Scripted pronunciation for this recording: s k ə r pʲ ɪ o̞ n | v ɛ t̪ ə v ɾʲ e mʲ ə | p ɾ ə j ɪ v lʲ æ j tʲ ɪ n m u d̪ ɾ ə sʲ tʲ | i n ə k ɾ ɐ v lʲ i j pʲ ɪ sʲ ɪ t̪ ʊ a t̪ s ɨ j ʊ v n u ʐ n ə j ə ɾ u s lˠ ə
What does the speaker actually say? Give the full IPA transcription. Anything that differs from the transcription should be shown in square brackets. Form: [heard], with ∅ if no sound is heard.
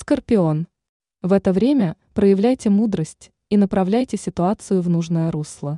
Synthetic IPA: s k ə r pʲ ɪ o̞ n | v ɛ t̪ ə v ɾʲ e mʲ ə | p ɾ ə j ɪ v lʲ æ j tʲ ɪ [∅] m u d̪ ɾ ə sʲ tʲ | i n ə [p] ɾ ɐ v lʲ [æ] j [tʲ] ɪ sʲ ɪ t̪ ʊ a t̪ s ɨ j ʊ v n u ʐ n ə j ə ɾ u s lˠ ə